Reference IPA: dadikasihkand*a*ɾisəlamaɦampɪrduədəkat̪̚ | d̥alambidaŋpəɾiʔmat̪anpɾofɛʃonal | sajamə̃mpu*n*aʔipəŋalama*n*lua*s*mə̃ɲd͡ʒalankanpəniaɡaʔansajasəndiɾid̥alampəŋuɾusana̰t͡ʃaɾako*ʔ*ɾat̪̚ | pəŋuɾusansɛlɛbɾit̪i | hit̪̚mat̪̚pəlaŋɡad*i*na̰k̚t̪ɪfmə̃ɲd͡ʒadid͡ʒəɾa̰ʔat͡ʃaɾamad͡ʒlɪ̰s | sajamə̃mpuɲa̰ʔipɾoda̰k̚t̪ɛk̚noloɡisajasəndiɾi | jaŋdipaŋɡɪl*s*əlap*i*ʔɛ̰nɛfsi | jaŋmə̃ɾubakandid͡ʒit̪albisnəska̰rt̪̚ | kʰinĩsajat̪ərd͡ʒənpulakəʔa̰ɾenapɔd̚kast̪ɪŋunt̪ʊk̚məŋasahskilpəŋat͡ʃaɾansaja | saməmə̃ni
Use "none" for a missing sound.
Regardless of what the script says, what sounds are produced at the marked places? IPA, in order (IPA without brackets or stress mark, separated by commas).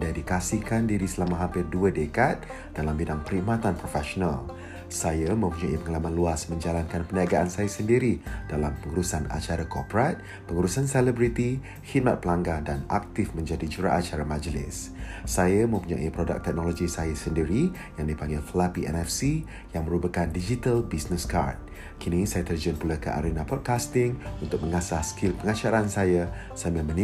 i, ɲ, n, s, p, a, f, i